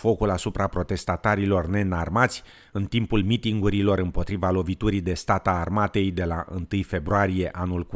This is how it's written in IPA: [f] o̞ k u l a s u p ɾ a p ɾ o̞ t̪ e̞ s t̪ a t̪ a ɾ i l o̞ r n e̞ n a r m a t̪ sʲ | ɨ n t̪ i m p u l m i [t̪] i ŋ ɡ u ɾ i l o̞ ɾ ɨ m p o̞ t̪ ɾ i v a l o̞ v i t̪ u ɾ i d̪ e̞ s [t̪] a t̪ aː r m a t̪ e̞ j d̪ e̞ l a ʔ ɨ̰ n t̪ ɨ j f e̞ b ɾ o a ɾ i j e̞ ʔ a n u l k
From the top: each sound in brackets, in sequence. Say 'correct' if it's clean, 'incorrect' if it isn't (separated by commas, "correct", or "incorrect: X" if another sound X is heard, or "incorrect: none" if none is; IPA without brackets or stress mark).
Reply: correct, correct, correct